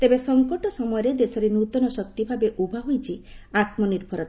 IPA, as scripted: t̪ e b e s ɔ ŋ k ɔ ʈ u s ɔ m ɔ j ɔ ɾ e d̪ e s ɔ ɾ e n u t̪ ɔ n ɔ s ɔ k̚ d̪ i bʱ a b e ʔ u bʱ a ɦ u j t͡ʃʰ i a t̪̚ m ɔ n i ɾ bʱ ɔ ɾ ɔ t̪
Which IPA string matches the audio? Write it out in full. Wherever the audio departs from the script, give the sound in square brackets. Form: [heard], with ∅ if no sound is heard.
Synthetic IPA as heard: t̪ e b e s ɔ ŋ k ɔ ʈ [ɔ] s ɔ m ɔ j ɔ ɾ e d̪ e s ɔ ɾ e n u t̪ ɔ n ɔ s ɔ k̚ [t̪] i bʱ a b e ʔ u bʱ a ɦ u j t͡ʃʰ i a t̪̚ m ɔ n i ɾ bʱ ɔ ɾ ɔ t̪